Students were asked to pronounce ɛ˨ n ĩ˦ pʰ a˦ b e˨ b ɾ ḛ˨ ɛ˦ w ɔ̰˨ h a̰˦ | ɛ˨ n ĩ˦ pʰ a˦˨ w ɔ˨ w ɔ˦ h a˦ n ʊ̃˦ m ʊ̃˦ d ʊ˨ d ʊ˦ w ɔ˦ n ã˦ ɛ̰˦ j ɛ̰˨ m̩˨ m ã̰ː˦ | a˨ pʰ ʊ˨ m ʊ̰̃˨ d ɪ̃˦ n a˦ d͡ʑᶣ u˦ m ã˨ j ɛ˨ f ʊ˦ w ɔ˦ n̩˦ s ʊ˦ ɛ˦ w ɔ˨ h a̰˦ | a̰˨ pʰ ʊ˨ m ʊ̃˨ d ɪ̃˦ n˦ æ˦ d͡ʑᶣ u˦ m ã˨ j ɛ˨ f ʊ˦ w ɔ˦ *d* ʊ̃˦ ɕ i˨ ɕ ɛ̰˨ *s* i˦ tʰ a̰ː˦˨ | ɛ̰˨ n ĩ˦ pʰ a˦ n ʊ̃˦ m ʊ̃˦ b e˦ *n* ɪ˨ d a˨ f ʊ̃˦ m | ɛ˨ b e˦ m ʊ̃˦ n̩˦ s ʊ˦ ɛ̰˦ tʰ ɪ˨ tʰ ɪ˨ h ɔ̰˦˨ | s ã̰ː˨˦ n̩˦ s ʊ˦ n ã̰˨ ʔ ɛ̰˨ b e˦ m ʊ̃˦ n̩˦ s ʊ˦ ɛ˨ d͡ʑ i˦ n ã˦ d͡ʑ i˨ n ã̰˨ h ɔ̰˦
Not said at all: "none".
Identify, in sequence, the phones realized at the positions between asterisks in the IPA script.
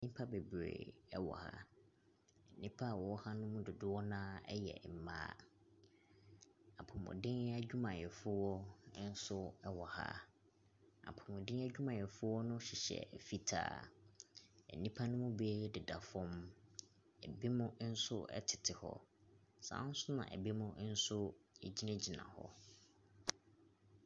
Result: n, f, d

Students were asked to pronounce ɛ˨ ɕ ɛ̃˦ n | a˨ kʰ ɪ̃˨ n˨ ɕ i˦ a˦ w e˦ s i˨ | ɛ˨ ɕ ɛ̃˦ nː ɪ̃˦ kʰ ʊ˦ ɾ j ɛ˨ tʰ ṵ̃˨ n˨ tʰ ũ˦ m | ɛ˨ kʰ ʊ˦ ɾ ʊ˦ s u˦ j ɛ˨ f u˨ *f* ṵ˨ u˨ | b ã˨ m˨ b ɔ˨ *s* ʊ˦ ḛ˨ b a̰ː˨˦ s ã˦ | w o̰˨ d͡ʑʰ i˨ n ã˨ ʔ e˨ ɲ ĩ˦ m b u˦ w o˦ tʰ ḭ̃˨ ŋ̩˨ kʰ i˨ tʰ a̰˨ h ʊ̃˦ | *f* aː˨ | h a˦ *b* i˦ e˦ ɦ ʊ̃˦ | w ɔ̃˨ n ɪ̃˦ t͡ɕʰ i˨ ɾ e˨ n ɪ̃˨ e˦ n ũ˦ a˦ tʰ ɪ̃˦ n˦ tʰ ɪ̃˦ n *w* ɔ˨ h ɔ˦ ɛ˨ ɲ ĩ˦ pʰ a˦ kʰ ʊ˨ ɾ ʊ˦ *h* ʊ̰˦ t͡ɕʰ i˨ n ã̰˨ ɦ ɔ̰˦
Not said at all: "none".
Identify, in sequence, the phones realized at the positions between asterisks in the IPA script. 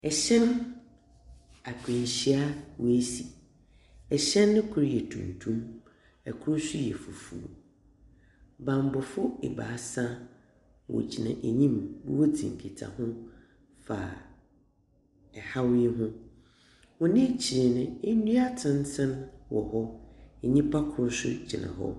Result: f, f, f, w, w, s

